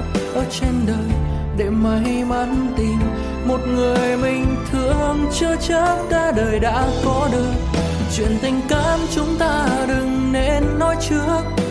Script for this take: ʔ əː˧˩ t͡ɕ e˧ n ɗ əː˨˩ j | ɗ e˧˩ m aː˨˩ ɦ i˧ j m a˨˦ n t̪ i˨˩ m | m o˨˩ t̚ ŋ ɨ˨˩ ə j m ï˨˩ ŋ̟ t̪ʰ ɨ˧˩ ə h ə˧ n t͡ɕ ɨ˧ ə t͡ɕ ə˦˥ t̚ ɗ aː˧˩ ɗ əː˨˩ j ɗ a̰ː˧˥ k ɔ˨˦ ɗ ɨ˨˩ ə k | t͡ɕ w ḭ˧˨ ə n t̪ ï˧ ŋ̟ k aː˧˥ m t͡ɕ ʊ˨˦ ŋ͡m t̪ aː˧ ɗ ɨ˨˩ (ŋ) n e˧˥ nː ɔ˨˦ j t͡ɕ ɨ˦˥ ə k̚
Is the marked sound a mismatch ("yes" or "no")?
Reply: no